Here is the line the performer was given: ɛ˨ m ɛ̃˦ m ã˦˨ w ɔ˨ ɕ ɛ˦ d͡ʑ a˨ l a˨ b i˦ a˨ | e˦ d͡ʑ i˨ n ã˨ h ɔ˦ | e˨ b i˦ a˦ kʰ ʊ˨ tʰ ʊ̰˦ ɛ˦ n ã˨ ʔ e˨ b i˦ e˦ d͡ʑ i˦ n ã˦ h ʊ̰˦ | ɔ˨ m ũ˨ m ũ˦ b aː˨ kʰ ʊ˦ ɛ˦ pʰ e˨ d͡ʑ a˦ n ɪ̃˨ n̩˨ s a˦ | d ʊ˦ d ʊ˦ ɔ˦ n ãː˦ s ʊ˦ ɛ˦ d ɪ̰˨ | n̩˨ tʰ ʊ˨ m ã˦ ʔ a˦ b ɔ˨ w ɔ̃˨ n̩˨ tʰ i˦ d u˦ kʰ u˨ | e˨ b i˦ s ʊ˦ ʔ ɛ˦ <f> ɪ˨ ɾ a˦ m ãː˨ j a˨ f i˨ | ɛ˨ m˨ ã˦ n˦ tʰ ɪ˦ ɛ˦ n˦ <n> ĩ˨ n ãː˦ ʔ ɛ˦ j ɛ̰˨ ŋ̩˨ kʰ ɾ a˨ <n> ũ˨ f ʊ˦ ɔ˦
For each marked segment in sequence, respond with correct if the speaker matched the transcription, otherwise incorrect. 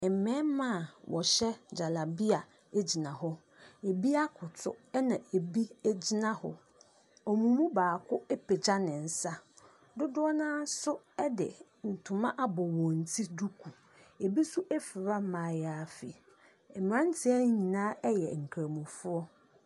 correct, incorrect: ɲ, incorrect: m

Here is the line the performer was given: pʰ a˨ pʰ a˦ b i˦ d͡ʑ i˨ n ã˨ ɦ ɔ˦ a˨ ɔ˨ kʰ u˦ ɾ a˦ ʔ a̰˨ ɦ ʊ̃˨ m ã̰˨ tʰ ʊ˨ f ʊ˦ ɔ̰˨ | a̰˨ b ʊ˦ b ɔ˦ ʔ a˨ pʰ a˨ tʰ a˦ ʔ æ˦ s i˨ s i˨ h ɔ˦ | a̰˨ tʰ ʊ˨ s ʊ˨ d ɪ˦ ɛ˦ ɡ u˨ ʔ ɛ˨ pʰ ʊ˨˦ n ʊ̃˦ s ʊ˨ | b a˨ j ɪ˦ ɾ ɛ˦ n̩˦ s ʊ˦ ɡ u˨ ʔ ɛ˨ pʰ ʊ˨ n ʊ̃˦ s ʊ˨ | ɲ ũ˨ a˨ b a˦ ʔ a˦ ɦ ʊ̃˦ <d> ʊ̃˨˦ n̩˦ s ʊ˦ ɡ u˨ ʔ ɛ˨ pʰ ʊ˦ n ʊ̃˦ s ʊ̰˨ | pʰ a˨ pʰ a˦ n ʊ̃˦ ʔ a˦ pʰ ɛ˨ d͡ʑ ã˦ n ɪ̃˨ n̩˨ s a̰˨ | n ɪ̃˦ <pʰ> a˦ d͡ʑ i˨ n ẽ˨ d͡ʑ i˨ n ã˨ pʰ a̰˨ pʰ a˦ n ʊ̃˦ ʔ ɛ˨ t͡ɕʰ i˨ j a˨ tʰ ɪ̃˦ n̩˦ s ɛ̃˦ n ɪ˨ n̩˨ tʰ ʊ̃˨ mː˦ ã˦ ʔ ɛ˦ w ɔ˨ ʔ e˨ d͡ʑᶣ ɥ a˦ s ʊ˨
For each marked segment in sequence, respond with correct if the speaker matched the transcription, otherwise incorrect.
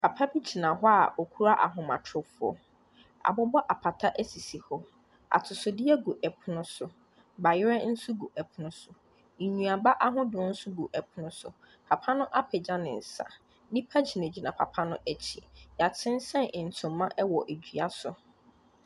correct, correct

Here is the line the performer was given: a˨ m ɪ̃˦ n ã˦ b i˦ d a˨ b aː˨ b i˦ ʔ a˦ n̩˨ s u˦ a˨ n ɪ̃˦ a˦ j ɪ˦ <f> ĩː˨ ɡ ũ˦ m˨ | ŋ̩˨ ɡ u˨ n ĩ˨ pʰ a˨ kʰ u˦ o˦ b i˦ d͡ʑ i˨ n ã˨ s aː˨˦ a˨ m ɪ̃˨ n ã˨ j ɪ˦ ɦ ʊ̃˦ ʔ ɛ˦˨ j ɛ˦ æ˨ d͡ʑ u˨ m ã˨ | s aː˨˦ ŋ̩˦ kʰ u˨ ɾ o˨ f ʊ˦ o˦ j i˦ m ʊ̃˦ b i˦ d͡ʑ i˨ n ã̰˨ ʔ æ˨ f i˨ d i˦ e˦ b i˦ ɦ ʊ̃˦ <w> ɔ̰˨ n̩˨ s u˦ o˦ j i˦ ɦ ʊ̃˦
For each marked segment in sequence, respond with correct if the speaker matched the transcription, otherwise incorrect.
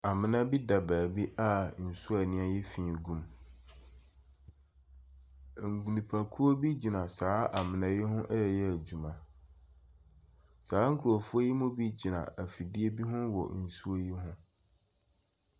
correct, correct

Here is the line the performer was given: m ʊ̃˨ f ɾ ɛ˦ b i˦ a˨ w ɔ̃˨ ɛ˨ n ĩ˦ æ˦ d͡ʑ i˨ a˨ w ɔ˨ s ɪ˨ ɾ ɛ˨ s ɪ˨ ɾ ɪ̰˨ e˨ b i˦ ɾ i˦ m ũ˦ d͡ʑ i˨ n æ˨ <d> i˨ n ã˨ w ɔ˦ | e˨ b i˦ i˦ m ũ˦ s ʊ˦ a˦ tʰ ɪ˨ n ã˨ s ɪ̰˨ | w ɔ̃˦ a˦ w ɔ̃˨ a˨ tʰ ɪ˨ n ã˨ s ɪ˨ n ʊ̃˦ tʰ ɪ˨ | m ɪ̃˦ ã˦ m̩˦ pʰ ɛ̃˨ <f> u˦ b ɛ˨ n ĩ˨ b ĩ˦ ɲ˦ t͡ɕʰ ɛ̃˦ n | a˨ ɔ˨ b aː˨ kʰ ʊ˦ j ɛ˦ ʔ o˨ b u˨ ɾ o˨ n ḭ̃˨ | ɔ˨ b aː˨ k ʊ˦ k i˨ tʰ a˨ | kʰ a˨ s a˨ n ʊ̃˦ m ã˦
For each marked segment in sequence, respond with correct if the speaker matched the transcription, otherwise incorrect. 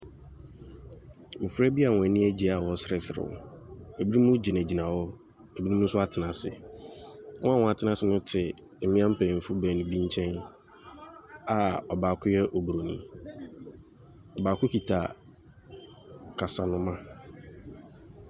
incorrect: d͡ʑ, correct

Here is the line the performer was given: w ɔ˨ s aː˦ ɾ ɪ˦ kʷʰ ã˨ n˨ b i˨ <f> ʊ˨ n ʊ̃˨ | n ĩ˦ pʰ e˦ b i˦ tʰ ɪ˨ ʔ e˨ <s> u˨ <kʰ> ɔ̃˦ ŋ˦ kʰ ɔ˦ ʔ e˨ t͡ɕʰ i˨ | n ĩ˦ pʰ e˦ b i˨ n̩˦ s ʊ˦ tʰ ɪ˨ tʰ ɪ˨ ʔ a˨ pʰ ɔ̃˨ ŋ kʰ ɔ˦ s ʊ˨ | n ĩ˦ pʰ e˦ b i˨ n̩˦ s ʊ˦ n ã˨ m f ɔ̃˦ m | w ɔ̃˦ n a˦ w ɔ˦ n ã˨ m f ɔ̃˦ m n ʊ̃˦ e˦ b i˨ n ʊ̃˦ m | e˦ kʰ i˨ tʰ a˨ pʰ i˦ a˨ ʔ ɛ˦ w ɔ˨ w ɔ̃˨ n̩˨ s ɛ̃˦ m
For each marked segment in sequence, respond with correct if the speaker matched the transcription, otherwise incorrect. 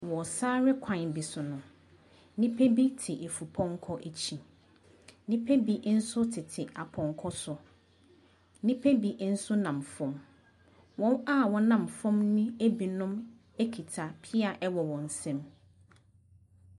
incorrect: s, incorrect: f, incorrect: pʰ

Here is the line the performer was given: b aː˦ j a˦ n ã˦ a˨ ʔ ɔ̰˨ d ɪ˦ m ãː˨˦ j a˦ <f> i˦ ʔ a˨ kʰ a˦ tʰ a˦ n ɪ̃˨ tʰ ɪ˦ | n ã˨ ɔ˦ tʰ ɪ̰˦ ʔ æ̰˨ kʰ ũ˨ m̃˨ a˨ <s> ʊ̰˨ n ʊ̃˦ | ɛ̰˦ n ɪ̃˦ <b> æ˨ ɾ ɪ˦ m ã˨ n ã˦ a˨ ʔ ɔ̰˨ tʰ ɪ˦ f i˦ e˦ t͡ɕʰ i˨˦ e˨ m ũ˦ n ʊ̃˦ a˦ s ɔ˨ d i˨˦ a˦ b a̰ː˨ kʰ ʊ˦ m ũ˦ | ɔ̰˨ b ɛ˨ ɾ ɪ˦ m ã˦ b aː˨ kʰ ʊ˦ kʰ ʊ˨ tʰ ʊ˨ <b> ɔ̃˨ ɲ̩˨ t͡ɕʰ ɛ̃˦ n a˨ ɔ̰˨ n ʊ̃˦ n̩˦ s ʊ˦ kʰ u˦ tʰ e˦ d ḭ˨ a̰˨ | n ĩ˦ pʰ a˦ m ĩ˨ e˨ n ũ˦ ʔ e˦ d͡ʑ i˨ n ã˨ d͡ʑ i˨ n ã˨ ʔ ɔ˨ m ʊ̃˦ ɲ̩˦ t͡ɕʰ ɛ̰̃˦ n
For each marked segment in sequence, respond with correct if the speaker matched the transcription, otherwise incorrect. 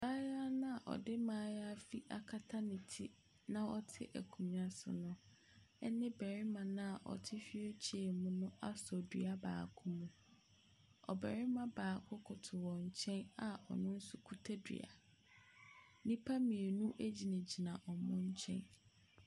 correct, correct, correct, incorrect: w

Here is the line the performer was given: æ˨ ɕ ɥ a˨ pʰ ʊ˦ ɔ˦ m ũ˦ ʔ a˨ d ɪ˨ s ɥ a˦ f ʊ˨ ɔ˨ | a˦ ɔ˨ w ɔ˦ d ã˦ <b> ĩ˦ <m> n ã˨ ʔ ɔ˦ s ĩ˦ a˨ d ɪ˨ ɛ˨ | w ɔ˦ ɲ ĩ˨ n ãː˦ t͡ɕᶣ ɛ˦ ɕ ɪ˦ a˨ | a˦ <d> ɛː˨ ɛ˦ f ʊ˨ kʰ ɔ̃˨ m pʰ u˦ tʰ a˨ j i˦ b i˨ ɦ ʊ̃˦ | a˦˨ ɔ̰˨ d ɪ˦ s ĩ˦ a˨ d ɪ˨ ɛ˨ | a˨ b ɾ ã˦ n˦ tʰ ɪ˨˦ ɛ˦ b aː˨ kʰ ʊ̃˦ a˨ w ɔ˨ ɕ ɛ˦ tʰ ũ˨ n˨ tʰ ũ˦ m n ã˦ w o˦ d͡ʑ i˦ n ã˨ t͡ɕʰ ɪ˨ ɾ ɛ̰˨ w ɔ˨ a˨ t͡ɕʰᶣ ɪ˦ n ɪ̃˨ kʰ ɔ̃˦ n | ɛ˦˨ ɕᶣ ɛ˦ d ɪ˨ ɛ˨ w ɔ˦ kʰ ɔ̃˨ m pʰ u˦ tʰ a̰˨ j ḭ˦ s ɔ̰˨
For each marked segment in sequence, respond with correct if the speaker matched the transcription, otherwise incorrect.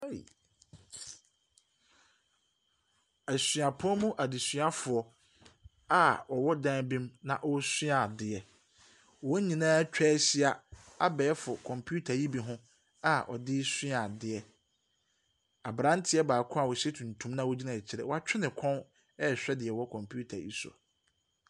correct, correct, incorrect: b

